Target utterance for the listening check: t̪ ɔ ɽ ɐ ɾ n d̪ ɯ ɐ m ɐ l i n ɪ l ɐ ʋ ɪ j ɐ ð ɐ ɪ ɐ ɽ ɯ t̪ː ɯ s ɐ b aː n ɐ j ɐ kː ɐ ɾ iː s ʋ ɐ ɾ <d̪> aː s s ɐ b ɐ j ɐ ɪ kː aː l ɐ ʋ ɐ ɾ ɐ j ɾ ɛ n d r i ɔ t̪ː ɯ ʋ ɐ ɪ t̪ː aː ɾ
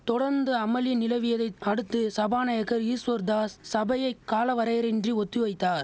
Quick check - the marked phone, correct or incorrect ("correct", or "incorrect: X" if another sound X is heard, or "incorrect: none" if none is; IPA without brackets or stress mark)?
correct